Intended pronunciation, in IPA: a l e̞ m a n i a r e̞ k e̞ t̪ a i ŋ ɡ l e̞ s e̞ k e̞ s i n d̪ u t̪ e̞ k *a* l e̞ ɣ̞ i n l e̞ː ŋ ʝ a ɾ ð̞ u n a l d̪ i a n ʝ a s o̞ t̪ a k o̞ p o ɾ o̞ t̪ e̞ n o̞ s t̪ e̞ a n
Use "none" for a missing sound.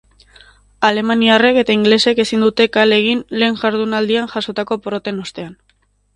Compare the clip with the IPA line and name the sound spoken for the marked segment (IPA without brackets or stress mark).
a